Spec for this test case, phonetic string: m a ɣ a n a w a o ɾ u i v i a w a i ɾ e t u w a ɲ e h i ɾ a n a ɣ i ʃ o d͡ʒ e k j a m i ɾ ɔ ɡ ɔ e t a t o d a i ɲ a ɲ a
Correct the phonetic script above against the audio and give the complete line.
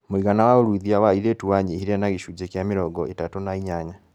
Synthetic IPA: m i ɣ a n a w a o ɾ u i ð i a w a i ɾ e t u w a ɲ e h i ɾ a n a ɣ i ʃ u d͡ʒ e k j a m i ɾ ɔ ɡ ɔ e t a t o n a i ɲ a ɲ a